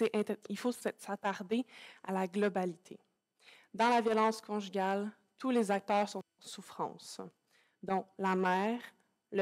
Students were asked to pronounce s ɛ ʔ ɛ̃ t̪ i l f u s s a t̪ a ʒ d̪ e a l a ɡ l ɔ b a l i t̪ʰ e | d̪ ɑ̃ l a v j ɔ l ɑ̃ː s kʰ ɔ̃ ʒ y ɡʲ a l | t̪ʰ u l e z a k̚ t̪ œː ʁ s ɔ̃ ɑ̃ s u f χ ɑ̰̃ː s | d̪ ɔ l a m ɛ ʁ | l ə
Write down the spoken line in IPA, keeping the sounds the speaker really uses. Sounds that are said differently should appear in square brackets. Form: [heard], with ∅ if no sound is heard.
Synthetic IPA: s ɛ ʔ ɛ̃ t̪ i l f [o] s s a t̪ a [ʁ] d̪ e a l a ɡ l ɔ b a l i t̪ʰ e | d̪ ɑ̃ l a v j ɔ l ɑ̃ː s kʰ ɔ̃ ʒ y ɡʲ a l | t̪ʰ u l e z a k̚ t̪ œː ʁ s ɔ̃ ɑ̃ s u f χ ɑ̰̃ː s | d̪ [ɔ̃] l a m [ɛː] ʁ | l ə